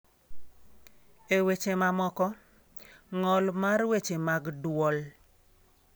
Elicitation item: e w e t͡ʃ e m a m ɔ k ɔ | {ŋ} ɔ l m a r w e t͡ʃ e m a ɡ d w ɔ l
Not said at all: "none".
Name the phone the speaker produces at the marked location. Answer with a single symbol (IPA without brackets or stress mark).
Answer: ŋ